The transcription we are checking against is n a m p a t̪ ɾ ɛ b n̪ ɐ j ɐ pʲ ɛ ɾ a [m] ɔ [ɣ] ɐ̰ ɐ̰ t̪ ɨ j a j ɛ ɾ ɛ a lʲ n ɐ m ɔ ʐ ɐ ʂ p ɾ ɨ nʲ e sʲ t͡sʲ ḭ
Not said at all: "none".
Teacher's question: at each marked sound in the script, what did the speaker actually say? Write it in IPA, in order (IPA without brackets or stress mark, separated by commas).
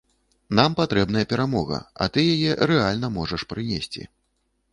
m, ɣ